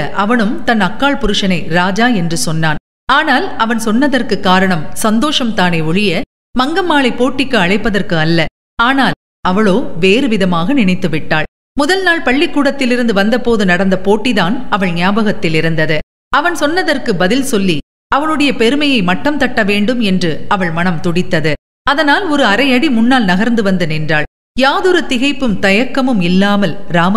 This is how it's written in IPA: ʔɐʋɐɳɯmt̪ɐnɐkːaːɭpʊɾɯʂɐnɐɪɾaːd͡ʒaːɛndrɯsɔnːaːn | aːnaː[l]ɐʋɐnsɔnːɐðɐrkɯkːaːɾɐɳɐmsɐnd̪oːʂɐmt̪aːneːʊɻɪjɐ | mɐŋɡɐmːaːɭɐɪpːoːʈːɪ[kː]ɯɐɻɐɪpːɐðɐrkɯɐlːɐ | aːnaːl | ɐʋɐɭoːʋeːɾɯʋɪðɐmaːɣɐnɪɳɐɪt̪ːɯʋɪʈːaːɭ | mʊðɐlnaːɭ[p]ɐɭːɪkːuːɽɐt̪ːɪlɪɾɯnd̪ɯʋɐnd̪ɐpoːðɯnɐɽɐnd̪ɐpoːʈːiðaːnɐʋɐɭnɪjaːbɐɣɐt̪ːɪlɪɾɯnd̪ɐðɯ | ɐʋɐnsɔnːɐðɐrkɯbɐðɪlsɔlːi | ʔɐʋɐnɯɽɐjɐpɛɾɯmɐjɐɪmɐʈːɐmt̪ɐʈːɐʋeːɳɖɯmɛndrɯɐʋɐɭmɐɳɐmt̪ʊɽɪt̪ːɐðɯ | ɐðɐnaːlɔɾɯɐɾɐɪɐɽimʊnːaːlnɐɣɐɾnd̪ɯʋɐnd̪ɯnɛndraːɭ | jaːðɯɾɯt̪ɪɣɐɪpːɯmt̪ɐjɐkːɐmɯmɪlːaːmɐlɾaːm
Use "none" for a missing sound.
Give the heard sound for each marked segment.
l, kː, p

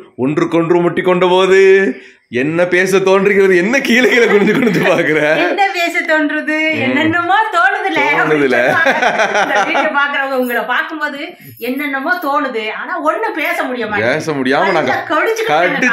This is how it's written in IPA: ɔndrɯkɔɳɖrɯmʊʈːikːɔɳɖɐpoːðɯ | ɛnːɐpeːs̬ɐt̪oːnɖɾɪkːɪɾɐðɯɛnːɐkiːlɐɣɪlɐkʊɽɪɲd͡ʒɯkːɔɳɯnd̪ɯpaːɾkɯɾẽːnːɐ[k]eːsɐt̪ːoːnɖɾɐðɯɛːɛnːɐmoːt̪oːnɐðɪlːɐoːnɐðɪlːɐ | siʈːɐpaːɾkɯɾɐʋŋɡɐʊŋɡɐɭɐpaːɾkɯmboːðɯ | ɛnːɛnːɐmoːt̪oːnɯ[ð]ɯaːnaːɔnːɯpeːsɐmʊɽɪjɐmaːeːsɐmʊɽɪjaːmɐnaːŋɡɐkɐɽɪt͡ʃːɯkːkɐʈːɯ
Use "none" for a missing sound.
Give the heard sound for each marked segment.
p, ð

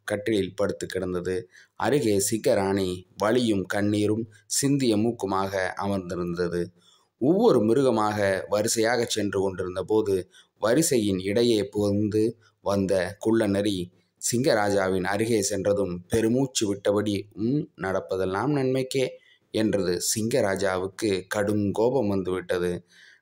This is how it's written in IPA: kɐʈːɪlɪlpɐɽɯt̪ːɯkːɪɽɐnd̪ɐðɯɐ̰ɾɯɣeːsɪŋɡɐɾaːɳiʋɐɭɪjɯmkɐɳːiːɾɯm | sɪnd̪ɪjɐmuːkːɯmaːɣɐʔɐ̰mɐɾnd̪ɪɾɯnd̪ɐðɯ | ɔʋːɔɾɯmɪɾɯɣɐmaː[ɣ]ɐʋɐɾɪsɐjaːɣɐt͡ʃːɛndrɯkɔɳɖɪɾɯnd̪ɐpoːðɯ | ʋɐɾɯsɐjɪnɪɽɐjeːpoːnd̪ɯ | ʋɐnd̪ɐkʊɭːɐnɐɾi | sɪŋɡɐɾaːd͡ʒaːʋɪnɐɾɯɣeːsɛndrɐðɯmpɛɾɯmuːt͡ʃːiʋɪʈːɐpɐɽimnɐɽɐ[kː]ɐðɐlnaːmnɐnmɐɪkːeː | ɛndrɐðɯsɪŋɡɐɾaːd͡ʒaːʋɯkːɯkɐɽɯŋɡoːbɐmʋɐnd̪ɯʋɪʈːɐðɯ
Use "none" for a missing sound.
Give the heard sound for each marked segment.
ɣ, pː

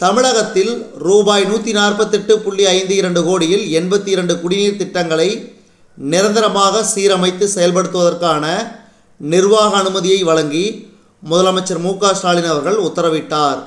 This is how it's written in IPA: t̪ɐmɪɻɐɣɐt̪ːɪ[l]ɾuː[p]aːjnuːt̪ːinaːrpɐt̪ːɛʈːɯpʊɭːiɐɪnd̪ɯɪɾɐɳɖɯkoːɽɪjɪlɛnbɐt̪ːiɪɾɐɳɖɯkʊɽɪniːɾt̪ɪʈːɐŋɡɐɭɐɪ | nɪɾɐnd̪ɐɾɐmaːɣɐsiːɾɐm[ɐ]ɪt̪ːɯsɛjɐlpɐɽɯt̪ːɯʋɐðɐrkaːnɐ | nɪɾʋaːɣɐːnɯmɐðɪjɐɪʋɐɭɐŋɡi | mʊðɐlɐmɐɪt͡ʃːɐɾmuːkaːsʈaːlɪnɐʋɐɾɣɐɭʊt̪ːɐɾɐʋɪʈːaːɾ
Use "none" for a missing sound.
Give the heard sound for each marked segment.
l, b, ɐ

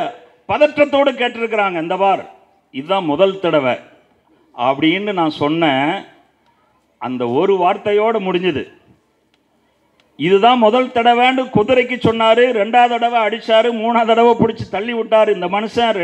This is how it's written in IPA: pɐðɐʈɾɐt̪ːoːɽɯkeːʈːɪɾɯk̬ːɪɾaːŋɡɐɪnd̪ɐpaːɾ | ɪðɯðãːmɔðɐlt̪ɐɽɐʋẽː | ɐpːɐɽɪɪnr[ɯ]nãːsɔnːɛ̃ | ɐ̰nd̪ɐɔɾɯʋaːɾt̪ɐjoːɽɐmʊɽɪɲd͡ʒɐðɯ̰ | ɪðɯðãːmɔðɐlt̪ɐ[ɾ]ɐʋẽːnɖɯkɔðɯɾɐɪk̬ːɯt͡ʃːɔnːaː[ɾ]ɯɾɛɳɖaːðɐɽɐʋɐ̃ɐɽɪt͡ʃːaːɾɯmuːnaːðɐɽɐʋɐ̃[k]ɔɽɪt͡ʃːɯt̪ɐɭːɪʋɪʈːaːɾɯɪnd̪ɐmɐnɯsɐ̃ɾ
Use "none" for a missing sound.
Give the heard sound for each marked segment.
ɯ, ɽ, ɾ, p

